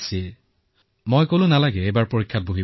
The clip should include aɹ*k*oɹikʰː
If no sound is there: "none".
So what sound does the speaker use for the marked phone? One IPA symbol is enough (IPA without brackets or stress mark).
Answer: p